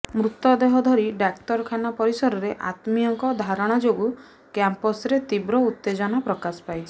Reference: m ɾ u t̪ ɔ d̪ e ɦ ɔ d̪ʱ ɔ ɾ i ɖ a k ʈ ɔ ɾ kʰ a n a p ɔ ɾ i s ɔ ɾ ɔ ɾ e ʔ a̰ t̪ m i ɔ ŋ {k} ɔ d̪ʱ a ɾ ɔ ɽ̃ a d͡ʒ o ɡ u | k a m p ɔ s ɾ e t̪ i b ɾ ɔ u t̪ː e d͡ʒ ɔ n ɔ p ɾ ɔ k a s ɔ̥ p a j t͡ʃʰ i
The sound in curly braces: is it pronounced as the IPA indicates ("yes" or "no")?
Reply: yes